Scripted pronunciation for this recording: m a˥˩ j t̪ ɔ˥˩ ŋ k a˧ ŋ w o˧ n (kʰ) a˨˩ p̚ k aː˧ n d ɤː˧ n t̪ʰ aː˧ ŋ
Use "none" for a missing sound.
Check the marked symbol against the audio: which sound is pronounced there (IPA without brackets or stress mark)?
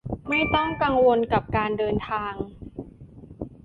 k